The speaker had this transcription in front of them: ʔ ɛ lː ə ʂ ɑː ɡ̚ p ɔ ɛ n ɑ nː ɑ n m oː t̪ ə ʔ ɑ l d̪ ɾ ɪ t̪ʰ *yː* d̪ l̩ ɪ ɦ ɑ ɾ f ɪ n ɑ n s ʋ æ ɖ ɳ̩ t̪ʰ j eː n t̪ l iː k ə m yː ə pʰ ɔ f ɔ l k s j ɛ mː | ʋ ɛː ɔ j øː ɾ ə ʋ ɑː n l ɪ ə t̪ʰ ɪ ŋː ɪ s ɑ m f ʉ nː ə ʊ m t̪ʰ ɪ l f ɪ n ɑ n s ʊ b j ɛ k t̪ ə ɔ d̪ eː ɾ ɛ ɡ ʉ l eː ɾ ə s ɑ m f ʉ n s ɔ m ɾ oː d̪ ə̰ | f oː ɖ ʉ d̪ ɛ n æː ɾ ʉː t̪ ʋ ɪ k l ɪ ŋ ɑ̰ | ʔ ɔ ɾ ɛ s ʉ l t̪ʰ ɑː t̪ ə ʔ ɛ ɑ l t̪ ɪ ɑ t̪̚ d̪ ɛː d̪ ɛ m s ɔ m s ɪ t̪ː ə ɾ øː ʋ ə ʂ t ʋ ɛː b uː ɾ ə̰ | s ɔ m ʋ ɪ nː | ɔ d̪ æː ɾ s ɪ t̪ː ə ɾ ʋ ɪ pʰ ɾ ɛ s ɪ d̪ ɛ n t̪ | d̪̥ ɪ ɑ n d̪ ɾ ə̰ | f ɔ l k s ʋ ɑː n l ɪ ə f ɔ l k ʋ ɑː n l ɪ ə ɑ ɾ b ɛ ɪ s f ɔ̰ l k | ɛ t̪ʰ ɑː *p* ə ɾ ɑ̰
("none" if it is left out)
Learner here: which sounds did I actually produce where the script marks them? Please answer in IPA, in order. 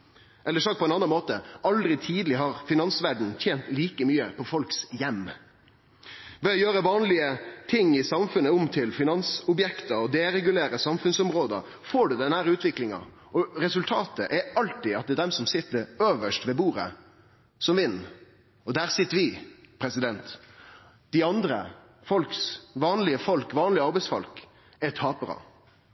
iː, p

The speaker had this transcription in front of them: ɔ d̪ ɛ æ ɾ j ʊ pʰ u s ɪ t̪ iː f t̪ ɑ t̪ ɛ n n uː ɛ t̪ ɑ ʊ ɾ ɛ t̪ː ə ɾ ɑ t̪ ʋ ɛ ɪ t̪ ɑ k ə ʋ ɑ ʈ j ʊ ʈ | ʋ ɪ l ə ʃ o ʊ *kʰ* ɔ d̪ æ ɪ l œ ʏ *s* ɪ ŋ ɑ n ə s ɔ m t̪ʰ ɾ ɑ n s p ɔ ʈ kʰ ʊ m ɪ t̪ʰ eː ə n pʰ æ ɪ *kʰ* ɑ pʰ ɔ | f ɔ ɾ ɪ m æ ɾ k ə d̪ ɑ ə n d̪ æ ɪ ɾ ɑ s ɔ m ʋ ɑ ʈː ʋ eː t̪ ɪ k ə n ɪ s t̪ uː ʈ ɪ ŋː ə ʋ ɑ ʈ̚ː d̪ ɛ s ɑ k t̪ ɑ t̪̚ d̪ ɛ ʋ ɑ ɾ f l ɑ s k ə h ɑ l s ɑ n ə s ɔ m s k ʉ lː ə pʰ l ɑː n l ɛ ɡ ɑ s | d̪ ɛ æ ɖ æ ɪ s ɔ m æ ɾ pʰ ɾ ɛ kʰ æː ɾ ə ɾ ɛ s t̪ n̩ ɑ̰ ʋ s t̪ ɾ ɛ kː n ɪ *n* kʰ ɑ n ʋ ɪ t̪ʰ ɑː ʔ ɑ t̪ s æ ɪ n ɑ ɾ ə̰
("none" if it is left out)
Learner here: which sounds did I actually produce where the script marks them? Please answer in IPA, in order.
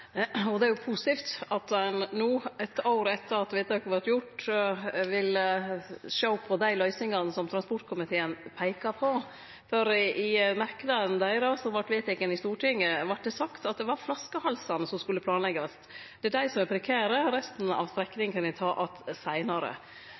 pʰ, s, k, ŋ

